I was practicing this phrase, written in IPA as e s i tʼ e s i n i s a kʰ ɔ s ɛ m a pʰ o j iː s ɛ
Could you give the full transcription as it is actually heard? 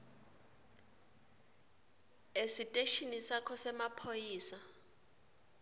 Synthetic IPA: e s i tʼ e ʃ i n i s a kʰ ɔ s ɛ m a pʰ o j iː s a